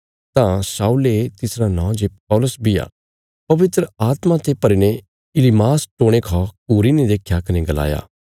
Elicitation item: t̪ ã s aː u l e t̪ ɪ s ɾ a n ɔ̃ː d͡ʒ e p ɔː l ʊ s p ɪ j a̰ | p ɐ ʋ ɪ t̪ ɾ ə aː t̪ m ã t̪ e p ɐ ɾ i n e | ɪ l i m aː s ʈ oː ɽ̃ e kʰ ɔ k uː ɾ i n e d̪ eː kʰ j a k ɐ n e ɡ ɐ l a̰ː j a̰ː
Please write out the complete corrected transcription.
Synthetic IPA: t̪ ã s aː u l e t̪ ɪ s ɾ a n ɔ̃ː d͡ʒ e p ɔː l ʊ s b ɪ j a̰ | p ɐ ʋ ɪ t̪ ɾ ə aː t̪ m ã t̪ e p ɐ ɾ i n e | ɪ l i m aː s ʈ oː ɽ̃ e kʰ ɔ k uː ɾ i n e d̪ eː kʰ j a k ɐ n e ɡ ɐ l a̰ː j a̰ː